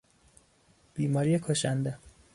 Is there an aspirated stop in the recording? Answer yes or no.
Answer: yes